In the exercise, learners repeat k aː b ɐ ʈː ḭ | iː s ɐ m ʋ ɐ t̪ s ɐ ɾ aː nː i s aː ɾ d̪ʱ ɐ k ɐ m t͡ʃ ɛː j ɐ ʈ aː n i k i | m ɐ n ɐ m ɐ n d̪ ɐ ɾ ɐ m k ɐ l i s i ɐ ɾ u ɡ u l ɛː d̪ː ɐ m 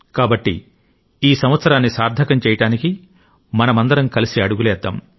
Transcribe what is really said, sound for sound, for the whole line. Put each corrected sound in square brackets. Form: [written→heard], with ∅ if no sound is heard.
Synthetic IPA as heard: k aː b ɐ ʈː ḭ | iː s ɐ m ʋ ɐ t̪ s ɐ ɾ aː nː i s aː ɾ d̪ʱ ɐ k ɐ m t͡ʃ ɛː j ɐ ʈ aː n i k i | m ɐ n ɐ m ɐ n d̪ ɐ ɾ ɐ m k ɐ l i s i ɐ [ɾ→ɽ] u ɡ u l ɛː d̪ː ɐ m

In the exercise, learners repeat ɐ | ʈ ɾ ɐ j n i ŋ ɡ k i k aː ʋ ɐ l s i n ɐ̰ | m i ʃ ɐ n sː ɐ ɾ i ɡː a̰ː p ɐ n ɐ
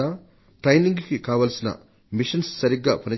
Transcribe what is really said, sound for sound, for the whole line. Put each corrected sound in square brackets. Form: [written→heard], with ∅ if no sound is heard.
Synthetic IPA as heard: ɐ | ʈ ɾ ɐ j n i ŋ ɡ k i k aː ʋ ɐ l s i n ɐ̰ | m i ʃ ɐ n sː ɐ ɾ i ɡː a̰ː p ɐ n ɐ

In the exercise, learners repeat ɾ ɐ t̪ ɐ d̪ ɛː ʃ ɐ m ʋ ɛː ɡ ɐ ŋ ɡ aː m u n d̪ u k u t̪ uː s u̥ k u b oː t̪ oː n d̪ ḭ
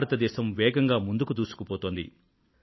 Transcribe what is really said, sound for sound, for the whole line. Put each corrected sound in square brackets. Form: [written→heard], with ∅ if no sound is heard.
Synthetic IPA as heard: ɾ ɐ t̪ ɐ d̪ ɛː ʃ ɐ m ʋ ɛː ɡ ɐ ŋ ɡ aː m u n d̪ u k u t̪ uː s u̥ k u [b→p] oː t̪ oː n d̪ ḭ

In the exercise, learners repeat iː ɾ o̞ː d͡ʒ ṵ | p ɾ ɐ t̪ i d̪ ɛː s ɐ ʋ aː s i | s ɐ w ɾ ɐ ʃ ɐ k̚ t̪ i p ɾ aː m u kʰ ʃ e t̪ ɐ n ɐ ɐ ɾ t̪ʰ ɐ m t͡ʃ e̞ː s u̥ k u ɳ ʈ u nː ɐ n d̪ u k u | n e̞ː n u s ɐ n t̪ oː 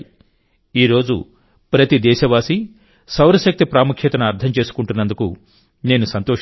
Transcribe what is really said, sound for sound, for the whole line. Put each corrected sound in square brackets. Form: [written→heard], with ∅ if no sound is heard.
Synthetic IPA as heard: iː ɾ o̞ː d͡ʒ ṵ | p ɾ ɐ t̪ i d̪ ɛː [s→ʃ] ɐ ʋ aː s i | s ɐ w ɾ ɐ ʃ ɐ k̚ t̪ i p ɾ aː m u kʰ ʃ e t̪ ɐ n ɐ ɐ ɾ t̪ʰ ɐ m t͡ʃ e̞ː s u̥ k u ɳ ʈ u nː ɐ n d̪ u k u | n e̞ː n u s ɐ n t̪ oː

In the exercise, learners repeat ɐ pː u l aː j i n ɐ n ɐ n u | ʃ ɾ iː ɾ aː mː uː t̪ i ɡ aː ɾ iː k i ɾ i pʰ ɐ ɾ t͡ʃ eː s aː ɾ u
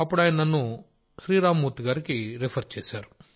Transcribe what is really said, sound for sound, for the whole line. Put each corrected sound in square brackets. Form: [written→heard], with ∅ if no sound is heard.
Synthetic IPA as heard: ɐ pː u [l→ɽ] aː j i n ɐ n ɐ [n→nː] u | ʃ ɾ iː ɾ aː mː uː t̪ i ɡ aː ɾ [iː→i] k i ɾ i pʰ ɐ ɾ t͡ʃ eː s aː ɾ u

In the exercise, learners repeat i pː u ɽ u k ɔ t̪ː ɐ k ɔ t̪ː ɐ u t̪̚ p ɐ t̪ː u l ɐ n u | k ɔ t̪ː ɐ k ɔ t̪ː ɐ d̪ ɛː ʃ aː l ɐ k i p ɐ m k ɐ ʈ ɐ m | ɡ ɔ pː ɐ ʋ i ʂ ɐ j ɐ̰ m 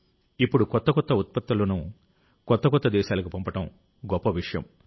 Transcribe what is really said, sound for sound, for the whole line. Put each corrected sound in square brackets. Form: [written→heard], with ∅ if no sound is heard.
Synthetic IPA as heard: i pː u ɽ u k ɔ t̪ː ɐ k ɔ t̪ː ɐ u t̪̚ p ɐ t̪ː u l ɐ n u | k ɔ t̪ː ɐ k ɔ t̪ː ɐ d̪ ɛː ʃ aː l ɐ k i p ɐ m [k→p] ɐ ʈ ɐ m | ɡ ɔ pː ɐ ʋ i ʂ ɐ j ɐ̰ m

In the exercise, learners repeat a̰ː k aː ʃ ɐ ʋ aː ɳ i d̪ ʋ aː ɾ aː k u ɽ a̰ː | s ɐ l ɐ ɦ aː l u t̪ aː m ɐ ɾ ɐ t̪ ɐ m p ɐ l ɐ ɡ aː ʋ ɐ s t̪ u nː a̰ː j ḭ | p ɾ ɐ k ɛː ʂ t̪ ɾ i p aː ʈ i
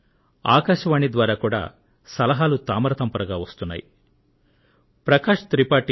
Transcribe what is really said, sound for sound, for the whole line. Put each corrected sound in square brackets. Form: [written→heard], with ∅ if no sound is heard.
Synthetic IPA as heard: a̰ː k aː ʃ ɐ ʋ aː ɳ i d̪ ʋ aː ɾ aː k [u→uː] ɽ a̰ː | s ɐ l ɐ ɦ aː l u t̪ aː m ɐ ɾ ɐ t̪ ɐ m p ɐ [l→ɾ] ɐ ɡ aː ʋ ɐ s t̪ u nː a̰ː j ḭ | p ɾ ɐ k [ɛː→aː] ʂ t̪ ɾ i p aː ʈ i

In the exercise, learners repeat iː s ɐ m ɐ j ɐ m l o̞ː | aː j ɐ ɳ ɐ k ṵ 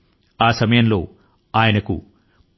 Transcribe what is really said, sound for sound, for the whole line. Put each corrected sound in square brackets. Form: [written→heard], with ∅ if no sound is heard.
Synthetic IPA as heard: [iː→aː] s ɐ m ɐ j ɐ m l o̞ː | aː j ɐ [ɳ→n] ɐ k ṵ

